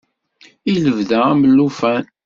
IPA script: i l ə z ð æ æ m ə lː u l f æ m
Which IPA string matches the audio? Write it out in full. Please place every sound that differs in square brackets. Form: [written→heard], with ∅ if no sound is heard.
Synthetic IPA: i l ə [z→v] ð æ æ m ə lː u [l→∅] f æ [m→n]